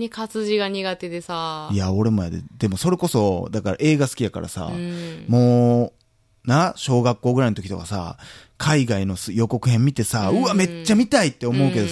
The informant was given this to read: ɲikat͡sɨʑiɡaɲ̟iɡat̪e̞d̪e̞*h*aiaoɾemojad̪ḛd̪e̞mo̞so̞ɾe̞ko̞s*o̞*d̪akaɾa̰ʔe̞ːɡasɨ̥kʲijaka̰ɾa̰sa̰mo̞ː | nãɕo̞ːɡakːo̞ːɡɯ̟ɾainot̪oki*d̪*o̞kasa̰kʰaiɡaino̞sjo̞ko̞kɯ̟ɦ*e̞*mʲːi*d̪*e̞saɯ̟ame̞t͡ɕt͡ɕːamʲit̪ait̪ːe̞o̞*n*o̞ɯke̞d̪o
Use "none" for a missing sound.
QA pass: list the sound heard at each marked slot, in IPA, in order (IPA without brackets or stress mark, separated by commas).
s, o̞, t̪, ẽ̞, t̪, m